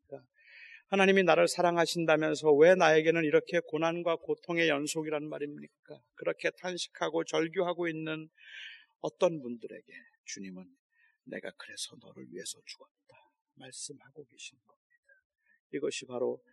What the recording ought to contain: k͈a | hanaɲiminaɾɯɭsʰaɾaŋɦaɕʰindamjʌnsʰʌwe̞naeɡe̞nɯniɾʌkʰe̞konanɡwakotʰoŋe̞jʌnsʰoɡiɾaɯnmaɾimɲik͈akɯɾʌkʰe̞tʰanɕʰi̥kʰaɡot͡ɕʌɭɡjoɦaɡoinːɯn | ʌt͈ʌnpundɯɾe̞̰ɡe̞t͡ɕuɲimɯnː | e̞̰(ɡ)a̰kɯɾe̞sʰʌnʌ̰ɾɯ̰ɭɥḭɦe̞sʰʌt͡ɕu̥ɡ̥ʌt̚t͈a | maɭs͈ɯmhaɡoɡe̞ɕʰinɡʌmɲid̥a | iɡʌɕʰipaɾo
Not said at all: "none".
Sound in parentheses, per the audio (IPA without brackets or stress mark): ɡ